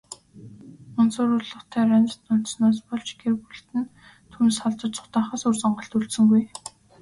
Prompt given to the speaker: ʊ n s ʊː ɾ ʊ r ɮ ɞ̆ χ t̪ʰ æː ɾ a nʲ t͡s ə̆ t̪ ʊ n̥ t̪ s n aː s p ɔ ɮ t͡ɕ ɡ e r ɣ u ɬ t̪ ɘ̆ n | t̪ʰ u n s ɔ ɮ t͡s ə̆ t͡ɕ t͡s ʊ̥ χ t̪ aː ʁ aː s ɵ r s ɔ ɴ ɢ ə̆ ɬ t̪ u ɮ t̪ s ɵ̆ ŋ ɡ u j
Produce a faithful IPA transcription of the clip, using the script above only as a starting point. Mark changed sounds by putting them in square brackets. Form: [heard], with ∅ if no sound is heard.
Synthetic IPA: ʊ n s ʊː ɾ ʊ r ɮ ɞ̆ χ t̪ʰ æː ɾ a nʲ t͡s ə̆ t̪ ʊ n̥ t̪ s n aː s p ɔ ɮ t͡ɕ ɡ e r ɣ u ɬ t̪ ɘ̆ n | t̪ʰ u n s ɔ ɮ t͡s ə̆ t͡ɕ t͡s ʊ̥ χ t̪ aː [χ] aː s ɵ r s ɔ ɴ ɢ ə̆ ɬ t̪ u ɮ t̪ s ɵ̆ ŋ ɡ u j